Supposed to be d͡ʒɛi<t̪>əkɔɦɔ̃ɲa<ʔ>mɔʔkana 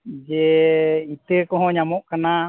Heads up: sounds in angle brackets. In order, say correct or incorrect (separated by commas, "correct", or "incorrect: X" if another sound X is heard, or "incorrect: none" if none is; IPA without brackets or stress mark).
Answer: correct, incorrect: none